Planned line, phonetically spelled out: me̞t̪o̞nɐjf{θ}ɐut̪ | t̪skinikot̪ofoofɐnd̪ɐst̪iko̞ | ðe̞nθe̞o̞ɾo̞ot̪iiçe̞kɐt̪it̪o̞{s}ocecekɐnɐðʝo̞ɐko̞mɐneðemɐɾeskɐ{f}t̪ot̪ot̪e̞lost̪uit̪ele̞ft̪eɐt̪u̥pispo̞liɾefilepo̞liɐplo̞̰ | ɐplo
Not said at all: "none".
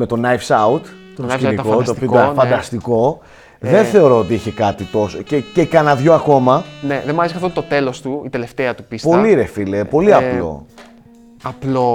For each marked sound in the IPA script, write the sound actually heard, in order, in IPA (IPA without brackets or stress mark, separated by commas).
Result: s, s, f